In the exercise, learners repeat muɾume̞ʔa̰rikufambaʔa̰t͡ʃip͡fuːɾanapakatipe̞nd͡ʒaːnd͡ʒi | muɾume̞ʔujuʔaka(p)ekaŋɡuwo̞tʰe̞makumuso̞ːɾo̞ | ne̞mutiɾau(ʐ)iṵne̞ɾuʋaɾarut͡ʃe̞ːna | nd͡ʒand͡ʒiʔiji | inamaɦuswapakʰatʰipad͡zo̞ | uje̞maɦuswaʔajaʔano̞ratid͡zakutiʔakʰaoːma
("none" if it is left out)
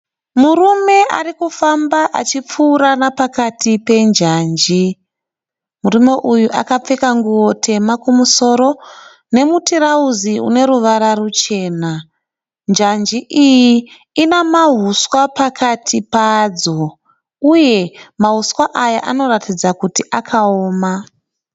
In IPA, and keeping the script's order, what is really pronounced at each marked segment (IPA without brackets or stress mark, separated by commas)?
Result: p͡f, z